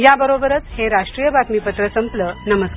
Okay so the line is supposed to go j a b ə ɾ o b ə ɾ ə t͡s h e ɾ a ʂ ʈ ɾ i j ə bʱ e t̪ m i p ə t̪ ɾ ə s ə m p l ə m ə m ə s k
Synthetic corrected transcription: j a b ə ɾ o b ə ɾ ə t͡s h e ɾ a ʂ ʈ ɾ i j ə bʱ a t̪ m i p ə t̪ ɾ ə s ə m p l ə n ə m ə s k